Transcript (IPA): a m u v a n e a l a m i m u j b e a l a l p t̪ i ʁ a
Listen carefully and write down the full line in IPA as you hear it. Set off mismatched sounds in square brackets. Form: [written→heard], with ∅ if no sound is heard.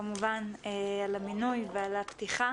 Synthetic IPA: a m u v a n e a l a m i [m→n] u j [b→v] e a l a [l→∅] p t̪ i [ʁ→χ] a

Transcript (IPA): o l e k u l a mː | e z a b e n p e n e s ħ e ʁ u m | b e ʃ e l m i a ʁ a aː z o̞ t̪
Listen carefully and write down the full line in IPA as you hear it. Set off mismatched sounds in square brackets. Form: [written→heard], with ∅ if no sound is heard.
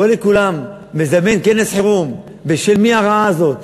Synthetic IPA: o l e k u l a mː | e z a [b→m] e n [p→k] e n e s ħ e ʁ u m | b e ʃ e l m i a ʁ a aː z o̞ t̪

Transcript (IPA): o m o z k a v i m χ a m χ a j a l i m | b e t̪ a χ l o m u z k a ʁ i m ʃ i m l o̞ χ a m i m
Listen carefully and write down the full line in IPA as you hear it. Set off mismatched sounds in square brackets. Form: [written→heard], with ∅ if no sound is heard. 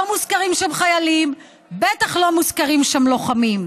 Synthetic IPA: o m [o→u] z k a [v→ʁ] i m [χ→ʃ] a m χ a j a l i m | b e t̪ a χ l o m u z k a ʁ i m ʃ [i→a] m l o̞ χ a m i m

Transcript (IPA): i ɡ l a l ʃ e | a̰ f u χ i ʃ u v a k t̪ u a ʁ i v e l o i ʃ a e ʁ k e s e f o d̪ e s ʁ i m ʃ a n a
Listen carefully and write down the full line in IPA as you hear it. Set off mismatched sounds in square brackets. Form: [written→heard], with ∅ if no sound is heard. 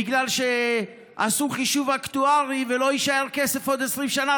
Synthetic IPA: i ɡ l a l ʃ e | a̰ [f→s] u χ i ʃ u v a k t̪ u a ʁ i v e l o i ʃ a e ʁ k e s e f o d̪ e s ʁ i m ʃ a n a

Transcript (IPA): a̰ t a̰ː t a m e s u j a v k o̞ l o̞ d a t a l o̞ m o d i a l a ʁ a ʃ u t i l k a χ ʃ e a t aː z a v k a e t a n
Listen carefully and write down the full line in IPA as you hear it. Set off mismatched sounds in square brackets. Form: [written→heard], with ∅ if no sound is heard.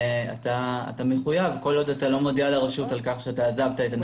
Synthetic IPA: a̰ t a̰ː t a m e [s→χ] u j a v k o̞ l o̞ d a t a l o̞ m o d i a l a ʁ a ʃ u t [i→a] l k a χ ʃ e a t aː z a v [k→t] a e t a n

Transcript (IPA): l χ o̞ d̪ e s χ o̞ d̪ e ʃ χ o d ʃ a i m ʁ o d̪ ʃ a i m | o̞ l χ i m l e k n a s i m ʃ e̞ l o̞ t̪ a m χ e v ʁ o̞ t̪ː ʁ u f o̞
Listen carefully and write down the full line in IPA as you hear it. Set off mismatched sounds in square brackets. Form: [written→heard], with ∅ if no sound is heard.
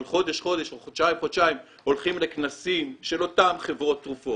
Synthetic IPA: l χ o̞ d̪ e [s→ʃ] χ o̞ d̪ e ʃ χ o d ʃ a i m [ʁ→χ] o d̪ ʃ a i m | o̞ l χ i m l e k n a s i m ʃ e̞ l o̞ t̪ a m χ e v ʁ o̞ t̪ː ʁ u f o̞

